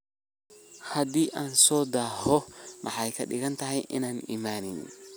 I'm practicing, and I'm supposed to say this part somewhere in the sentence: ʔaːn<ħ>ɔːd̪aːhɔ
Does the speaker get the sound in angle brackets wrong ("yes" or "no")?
yes